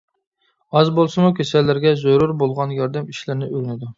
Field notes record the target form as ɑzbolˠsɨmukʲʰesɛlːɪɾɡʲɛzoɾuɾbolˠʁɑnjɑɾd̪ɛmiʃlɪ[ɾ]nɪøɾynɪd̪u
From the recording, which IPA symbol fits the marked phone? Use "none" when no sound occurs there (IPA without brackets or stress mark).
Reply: ɾ